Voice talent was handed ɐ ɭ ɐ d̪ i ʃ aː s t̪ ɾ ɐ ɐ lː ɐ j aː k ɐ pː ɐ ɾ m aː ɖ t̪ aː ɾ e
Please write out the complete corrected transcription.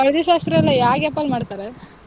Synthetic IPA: ɐ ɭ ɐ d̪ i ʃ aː s t̪ ɾ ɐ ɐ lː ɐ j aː ɡ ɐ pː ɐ l m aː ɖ t̪ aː ɾ e

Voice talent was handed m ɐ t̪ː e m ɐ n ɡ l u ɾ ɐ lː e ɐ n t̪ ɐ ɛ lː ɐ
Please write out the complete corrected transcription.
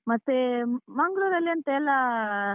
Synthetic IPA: m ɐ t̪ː e m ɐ ŋ ɡ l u ɾ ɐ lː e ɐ n t̪ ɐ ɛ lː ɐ

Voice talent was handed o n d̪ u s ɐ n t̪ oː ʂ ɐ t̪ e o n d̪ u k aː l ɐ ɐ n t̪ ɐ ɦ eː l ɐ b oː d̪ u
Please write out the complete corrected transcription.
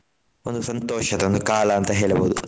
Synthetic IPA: o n d̪ u s ɐ n t̪ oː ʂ ɐ t̪ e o n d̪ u k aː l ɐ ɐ n t̪ ɐ ɦ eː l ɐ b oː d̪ u

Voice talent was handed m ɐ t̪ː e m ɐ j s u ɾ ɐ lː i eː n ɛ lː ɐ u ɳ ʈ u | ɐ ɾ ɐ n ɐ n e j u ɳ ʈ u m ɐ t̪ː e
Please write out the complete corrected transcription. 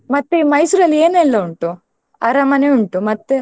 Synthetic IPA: m ɐ t̪ː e m ɐ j s u ɾ ɐ lː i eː n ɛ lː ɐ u ɳ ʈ u | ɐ ɾ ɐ m ɐ n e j u ɳ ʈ u m ɐ t̪ː e

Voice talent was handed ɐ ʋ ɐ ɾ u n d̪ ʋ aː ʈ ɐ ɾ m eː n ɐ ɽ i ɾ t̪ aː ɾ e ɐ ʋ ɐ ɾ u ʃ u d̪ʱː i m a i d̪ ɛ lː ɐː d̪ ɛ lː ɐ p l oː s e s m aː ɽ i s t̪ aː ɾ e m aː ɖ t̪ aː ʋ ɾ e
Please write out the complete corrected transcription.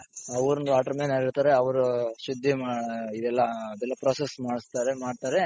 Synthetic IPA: ɐ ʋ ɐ ɾ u n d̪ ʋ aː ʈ ɐ ɾ m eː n ɐ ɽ i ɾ t̪ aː ɾ e ɐ ʋ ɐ ɾ u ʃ u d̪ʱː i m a i d̪ ɛ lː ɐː d̪ ɛ lː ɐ p ɾ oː s e s m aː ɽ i s t̪ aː ɾ e m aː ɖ t̪ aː ɾ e

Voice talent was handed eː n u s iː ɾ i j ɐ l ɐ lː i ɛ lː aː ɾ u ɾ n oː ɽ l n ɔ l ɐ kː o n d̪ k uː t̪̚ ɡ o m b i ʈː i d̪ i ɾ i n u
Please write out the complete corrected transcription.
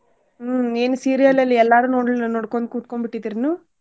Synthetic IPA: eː n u s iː ɾ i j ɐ l ɐ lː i ɛ lː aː ɾ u n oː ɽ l n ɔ ɽ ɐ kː o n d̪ k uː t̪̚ k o m b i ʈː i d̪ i ɾ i n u

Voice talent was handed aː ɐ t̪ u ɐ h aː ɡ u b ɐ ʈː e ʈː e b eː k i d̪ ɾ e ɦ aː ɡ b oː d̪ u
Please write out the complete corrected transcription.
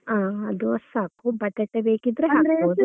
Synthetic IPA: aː ɐ d̪ u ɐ s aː k u b ɐ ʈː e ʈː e b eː k i d̪ ɾ e ɦ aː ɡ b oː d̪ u

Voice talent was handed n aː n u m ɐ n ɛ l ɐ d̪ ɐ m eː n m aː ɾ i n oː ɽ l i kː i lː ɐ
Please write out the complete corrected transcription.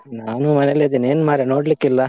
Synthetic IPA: n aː n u m ɐ n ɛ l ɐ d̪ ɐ n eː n m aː ɾ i n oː ɽ l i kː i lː ɐ

